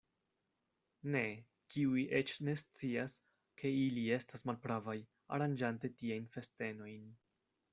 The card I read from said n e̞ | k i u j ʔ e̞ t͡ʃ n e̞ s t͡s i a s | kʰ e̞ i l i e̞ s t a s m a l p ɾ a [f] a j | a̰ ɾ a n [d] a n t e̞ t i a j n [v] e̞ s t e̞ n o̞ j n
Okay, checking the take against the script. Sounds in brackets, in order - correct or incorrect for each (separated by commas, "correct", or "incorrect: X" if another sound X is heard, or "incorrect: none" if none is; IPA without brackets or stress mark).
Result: incorrect: v, incorrect: d͡ʒ, incorrect: f